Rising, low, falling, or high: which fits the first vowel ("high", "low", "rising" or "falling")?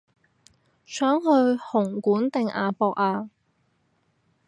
rising